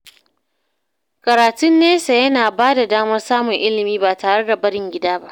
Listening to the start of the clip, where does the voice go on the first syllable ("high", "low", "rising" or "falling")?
low